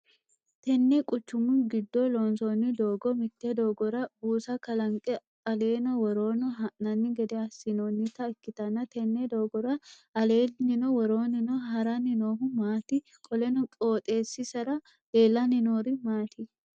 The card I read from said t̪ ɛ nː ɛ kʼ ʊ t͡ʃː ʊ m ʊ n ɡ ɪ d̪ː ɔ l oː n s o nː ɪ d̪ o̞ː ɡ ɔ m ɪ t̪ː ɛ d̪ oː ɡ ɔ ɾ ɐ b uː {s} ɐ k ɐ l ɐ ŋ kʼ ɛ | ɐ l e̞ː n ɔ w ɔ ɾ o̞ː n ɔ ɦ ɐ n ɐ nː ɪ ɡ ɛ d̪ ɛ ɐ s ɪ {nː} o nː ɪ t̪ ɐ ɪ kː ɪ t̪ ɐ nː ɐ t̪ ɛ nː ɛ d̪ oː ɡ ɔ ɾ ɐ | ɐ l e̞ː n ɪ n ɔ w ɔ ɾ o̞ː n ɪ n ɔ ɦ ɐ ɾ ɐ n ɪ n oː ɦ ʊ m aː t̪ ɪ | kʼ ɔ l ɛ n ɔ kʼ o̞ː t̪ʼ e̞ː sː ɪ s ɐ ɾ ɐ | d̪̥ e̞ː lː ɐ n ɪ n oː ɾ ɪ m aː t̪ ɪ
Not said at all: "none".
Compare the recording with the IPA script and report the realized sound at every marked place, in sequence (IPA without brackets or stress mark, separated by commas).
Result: s, n